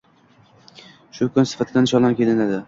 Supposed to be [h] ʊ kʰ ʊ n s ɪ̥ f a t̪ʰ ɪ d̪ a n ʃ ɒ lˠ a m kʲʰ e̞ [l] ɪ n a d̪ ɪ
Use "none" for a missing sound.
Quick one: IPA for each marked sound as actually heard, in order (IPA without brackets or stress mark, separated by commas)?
ʃ, l